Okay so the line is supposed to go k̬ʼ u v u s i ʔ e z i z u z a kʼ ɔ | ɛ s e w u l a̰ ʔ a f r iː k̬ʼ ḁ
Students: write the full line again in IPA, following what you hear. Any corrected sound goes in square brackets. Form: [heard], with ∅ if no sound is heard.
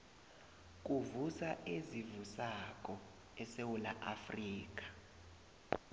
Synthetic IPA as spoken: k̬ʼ u v u s [a] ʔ e z i [v] u [s] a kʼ ɔ | ɛ s e w u l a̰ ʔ a f r iː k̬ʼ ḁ

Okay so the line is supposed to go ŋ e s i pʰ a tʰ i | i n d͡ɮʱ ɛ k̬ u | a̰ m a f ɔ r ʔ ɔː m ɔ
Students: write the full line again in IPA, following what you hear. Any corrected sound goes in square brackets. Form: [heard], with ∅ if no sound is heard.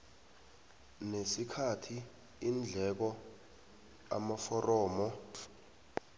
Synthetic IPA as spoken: [n] e s i [kʰ] a tʰ i | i n d͡ɮʱ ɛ k̬ [ɔ] | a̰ m a f ɔ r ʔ ɔː m ɔ

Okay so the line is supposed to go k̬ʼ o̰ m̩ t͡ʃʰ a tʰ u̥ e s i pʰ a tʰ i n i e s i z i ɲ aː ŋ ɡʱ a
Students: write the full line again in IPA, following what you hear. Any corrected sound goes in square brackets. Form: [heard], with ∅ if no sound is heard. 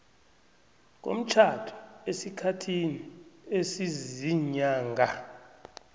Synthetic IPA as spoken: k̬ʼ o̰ m̩ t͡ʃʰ a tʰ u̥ e s i [kʰ] a tʰ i n i e s i z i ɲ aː ŋ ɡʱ a

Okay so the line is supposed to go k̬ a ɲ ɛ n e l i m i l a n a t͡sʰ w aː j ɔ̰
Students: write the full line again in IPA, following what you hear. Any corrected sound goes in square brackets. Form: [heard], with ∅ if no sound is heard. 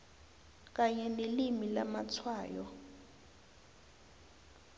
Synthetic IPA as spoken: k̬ a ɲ ɛ n e l i m i l a [m] a t͡sʰ w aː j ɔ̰

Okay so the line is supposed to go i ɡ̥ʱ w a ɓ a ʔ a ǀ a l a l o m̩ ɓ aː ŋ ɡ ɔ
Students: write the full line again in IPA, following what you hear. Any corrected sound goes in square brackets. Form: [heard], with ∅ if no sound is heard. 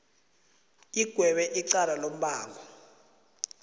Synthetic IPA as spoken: i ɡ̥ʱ w [ɛ] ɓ [ɛ] ʔ [i] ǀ a l a l o m̩ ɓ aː ŋ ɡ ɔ

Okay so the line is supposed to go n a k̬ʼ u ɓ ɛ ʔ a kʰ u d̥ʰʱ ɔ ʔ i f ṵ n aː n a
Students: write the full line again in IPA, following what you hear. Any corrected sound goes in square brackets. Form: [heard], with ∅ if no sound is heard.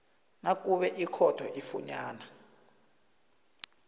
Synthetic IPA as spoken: n a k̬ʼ u ɓ ɛ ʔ [i] kʰ [ɔ] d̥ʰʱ ɔ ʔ i f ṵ [ɲ] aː n a

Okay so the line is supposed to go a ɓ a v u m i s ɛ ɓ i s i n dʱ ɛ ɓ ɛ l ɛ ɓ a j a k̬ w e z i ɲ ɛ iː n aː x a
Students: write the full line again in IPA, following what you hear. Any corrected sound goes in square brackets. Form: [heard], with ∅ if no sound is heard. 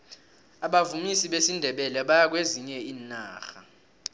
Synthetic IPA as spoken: a ɓ a v u m i s [i] ɓ [e] s i n dʱ ɛ ɓ ɛ l ɛ ɓ a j a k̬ w e z i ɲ ɛ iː n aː x a

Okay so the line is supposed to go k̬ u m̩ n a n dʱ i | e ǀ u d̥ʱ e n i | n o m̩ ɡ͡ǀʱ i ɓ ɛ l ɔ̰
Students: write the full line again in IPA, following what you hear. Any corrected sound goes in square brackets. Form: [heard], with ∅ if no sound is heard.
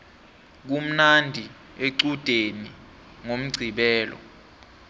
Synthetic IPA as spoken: k̬ u m̩ n a n dʱ i | e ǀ u d̥ʱ e n i | [ŋ] o m̩ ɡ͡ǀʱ i ɓ [ɛː] l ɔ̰

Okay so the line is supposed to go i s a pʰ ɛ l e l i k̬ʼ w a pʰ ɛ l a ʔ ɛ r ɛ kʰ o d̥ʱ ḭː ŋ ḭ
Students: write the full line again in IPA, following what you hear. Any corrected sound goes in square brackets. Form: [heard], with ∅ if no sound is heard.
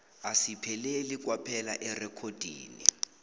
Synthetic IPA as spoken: [a] s [i] pʰ ɛ l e l i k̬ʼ w a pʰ ɛ l a ʔ ɛ r ɛ kʰ o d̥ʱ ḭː [n] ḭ

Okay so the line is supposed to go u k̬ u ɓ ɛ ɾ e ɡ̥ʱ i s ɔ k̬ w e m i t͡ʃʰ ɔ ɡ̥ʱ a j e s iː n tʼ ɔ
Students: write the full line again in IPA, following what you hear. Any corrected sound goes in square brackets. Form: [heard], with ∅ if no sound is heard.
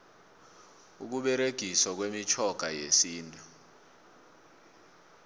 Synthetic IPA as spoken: u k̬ u ɓ ɛ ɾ e ɡ̥ʱ i s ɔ k̬ w e m i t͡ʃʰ ɔ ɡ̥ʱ a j e s iː n tʼ [u]

